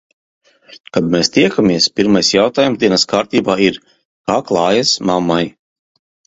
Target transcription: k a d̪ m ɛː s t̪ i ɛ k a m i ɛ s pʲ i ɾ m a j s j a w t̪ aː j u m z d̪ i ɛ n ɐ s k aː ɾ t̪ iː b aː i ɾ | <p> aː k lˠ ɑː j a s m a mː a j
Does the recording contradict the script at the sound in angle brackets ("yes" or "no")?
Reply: yes